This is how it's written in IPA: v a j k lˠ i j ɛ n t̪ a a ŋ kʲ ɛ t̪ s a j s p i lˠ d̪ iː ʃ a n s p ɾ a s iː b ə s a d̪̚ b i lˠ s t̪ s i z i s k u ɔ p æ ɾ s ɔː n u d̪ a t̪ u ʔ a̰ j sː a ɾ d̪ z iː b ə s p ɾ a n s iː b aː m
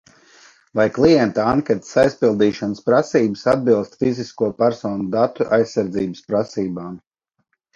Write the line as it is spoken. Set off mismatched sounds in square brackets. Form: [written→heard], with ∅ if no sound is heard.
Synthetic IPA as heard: v a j k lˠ i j ɛ n t̪ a a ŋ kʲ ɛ t̪ s a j s p i lˠ d̪ iː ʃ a n s p ɾ a s iː b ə s a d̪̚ b i lˠ s t̪ [s→f] i z i s k u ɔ p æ ɾ s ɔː n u d̪ a t̪ u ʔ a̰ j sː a ɾ d̪ z iː b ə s p ɾ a [n→∅] s iː b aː m